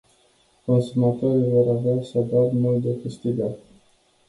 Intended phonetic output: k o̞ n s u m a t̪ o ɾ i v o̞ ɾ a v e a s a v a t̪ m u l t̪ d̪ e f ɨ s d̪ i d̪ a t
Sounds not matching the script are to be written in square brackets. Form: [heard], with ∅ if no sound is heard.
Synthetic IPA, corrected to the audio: k o̞ n s u m a t̪ o ɾ i v o̞ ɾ a v e a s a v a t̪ m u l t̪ d̪ e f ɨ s [t̪] i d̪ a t